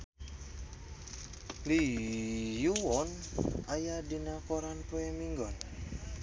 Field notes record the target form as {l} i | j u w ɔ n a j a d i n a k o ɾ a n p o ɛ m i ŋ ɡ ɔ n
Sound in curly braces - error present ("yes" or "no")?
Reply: no